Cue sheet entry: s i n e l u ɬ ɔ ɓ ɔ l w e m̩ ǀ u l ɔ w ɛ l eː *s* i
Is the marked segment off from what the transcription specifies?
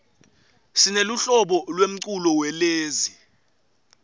yes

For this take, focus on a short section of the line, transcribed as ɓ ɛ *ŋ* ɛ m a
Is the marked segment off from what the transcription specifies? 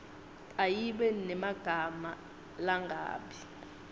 yes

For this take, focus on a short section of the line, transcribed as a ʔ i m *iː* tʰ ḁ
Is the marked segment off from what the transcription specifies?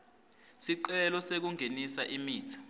no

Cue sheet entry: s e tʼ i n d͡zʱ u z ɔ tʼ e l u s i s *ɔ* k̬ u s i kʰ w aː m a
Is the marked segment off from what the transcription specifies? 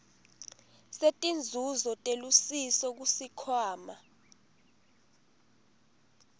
no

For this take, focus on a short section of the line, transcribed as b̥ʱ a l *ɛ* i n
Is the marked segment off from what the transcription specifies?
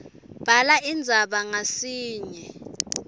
yes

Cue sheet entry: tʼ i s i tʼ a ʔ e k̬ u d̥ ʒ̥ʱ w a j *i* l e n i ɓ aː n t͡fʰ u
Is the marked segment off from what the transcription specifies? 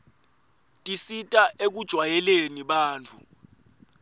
yes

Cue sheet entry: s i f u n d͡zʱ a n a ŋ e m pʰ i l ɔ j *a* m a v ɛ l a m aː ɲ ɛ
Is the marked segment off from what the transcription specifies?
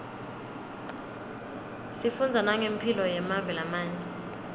yes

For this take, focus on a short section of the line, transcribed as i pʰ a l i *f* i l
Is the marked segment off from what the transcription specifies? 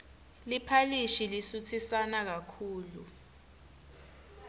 yes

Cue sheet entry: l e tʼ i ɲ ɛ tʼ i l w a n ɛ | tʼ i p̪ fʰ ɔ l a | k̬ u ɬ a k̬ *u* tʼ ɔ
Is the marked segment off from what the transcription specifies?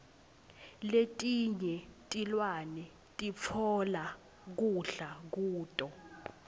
yes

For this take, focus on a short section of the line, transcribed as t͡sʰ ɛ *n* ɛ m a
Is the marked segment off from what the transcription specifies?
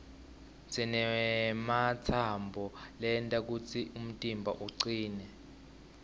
no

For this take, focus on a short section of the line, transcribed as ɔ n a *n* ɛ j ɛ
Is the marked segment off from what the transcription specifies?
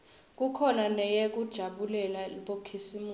no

